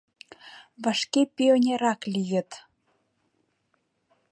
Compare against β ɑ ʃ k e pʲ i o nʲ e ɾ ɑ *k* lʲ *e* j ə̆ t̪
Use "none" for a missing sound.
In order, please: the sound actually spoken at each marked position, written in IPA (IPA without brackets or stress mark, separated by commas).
k, i